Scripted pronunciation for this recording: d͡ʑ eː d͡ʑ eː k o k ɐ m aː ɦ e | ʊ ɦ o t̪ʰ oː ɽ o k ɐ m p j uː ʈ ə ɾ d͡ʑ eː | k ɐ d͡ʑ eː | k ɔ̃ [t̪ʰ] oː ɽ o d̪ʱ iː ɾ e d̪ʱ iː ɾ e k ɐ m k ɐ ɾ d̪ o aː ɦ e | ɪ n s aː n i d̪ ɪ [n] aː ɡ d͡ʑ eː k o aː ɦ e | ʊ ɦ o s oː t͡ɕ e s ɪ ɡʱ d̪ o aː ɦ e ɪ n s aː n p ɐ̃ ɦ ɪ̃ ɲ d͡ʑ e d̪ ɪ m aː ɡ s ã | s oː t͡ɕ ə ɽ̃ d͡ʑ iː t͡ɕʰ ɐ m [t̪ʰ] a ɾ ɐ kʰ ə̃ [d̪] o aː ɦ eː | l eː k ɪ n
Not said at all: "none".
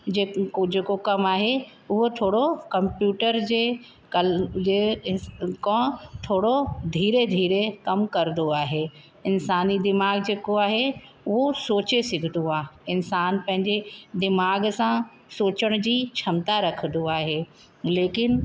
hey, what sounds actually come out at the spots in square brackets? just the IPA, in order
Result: t̪ʰ, m, t̪, d̪

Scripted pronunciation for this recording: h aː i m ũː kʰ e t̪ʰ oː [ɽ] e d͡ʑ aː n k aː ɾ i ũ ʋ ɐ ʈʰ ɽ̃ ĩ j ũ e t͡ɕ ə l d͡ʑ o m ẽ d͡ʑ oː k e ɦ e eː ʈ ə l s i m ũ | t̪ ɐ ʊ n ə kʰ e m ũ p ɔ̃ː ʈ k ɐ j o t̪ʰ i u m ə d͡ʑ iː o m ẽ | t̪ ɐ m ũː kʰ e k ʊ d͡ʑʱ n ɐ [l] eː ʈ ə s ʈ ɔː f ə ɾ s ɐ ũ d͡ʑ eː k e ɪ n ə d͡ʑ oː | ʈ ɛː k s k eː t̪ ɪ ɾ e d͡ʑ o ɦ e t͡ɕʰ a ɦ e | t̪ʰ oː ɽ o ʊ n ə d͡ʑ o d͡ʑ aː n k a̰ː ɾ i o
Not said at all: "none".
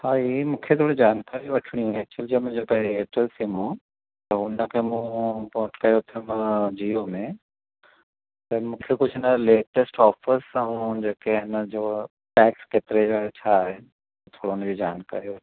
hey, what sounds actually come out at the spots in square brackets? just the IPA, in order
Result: ɽ, l

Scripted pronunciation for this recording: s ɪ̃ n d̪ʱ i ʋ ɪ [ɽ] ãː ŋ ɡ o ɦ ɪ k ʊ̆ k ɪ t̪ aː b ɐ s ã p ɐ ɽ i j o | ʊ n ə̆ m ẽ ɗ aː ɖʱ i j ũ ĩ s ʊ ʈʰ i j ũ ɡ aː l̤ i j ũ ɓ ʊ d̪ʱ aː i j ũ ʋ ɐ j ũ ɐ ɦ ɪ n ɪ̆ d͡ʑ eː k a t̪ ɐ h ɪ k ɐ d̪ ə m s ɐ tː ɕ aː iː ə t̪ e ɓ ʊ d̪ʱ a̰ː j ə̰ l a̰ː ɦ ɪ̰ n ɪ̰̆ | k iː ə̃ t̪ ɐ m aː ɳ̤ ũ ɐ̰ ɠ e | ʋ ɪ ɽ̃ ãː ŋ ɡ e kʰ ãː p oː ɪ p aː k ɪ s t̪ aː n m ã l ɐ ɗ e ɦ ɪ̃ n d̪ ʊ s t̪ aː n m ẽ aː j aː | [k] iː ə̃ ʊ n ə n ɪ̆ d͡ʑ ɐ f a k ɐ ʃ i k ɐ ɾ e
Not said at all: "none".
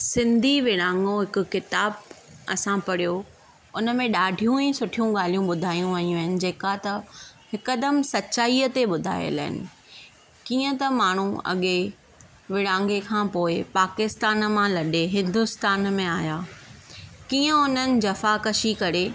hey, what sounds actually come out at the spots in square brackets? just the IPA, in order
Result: ɽ, k

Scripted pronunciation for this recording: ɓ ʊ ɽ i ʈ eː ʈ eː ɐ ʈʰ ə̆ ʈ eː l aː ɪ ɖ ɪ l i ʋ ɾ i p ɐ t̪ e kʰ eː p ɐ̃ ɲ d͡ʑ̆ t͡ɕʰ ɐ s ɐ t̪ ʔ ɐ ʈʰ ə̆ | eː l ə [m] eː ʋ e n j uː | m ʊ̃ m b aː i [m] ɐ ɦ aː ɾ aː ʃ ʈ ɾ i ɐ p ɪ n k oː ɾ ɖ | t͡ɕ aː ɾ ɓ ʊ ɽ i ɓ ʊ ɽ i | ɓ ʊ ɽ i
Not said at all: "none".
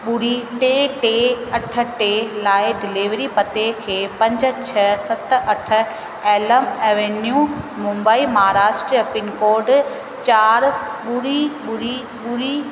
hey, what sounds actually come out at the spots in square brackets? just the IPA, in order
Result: m, m

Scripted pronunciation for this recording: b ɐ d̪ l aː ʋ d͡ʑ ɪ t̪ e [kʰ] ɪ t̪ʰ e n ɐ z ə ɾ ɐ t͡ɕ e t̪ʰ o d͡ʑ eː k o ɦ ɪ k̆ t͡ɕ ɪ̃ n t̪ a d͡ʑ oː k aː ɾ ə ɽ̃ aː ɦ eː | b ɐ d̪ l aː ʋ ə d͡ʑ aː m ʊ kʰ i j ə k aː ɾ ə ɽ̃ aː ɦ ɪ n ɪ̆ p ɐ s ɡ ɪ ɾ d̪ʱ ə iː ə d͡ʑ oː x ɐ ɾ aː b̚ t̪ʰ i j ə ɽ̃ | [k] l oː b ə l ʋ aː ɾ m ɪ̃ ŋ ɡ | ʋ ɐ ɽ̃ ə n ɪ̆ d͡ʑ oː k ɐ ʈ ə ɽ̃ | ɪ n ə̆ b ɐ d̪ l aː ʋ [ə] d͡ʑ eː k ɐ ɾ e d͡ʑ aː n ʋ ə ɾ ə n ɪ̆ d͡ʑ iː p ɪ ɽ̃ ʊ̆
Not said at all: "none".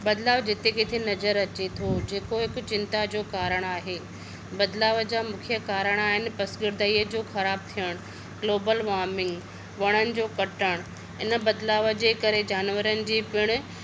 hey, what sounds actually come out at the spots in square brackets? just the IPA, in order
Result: k, ɡ, ə

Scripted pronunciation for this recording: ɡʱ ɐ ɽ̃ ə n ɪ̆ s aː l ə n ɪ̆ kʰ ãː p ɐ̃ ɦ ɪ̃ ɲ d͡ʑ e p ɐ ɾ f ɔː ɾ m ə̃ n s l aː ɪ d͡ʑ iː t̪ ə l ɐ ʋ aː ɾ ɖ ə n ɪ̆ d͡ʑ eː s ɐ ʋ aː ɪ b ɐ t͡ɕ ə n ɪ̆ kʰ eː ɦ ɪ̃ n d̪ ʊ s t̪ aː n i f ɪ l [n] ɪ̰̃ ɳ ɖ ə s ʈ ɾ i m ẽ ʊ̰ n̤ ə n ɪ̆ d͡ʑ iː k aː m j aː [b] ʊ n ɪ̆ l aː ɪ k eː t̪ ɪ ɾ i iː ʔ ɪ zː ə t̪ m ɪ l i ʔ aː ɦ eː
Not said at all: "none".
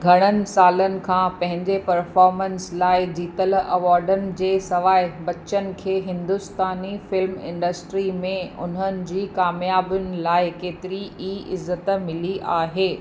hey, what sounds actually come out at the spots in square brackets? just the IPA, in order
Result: m, b

